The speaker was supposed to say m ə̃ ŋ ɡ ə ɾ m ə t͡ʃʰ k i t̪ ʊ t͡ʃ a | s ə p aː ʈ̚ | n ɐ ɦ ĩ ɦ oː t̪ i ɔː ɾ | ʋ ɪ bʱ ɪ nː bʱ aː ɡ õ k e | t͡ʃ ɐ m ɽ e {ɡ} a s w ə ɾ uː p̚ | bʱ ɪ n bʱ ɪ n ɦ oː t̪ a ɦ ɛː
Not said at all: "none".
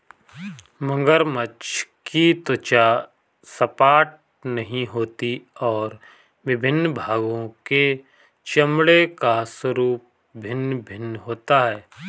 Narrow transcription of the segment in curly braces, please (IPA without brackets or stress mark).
k